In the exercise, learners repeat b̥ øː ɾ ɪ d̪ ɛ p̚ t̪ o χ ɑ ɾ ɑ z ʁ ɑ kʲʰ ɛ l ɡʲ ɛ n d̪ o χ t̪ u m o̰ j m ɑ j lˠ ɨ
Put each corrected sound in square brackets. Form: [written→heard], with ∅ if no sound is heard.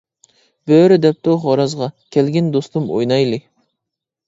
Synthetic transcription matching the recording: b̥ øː ɾ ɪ d̪ ɛ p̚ t̪ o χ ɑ ɾ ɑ z ʁ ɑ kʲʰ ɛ l ɡʲ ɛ n d̪ o [χ→s] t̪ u m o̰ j [m→n] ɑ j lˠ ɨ

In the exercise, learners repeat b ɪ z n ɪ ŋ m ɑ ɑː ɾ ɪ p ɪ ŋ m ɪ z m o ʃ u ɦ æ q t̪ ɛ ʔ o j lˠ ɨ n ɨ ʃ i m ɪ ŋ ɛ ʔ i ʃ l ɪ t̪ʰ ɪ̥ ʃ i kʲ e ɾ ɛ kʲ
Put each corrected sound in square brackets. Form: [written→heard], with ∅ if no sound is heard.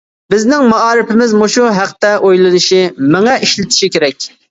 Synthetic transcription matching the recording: b ɪ z n ɪ ŋ m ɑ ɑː ɾ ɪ p ɪ [ŋ→∅] m ɪ z m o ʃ u ɦ æ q t̪ ɛ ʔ o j lˠ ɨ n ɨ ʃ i m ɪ ŋ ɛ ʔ i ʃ l ɪ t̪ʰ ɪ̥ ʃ i kʲ e ɾ ɛ kʲ

